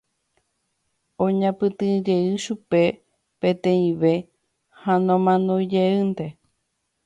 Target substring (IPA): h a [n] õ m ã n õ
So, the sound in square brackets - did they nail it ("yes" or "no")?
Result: yes